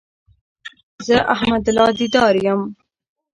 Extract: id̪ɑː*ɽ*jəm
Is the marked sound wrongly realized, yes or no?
yes